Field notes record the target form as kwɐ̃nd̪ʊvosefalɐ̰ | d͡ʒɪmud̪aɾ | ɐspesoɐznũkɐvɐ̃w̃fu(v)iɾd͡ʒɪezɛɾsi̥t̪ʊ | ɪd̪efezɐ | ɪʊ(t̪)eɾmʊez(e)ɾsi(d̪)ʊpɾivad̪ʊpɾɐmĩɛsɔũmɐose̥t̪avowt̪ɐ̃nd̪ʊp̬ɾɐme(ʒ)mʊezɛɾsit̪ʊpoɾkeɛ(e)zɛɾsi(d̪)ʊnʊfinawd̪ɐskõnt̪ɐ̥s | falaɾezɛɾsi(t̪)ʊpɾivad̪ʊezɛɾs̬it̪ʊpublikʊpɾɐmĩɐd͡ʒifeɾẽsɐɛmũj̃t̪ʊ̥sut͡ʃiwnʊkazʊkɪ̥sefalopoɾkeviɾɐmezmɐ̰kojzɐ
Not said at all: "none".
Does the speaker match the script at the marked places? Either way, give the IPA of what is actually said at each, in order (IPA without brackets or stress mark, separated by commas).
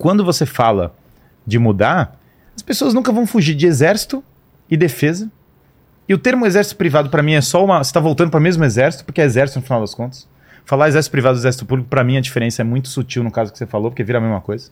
ʒ, t̪, ɛ, t̪, z, e, t̪, t̪